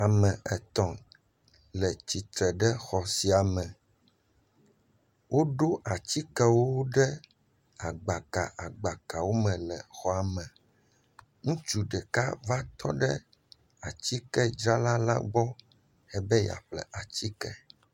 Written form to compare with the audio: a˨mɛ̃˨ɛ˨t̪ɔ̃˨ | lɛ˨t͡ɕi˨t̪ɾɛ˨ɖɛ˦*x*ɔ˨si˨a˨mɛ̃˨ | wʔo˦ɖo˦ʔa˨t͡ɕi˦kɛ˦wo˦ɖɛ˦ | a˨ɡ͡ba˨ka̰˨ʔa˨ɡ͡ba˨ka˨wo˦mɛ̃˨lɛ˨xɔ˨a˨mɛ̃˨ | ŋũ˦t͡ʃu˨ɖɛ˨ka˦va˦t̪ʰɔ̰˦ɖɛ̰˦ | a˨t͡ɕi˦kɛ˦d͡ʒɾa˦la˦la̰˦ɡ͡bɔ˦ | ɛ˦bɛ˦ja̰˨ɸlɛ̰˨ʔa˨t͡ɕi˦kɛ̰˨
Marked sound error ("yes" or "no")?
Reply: no